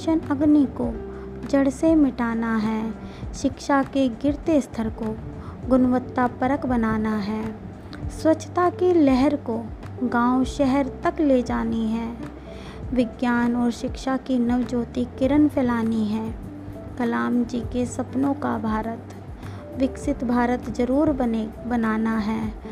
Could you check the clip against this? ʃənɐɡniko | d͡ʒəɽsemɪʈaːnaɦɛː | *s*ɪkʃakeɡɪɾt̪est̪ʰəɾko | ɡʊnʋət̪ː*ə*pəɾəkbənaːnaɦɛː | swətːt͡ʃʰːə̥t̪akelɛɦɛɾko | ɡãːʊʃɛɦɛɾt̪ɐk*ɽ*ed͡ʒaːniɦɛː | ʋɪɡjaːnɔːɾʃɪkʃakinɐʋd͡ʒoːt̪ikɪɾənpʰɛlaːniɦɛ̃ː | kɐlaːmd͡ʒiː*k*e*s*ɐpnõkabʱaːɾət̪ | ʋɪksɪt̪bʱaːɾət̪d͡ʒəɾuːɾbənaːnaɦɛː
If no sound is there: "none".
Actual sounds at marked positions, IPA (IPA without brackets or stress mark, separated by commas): ʃ, a, l, k, s